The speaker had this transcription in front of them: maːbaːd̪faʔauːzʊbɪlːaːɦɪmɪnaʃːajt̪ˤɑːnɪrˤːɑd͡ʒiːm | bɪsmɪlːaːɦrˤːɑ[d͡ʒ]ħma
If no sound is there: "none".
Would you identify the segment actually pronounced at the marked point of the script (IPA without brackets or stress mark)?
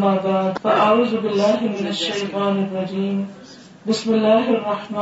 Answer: none